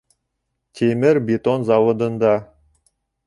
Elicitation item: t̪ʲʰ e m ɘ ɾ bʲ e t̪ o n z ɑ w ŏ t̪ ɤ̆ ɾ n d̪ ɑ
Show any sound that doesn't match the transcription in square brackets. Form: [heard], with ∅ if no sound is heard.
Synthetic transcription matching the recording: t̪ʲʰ e m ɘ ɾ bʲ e t̪ o n z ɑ w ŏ [d̪] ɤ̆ [∅] n d̪ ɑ